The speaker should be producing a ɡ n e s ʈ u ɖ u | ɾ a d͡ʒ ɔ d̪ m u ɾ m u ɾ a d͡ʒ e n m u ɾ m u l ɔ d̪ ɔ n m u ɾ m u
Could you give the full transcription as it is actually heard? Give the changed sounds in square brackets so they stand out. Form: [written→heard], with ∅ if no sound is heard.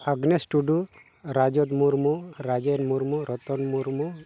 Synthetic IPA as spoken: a ɡ n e s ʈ u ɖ u | ɾ a d͡ʒ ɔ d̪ m u ɾ m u ɾ a d͡ʒ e n m u ɾ m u [l→ɾ] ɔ [d̪→t̪] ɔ n m u ɾ m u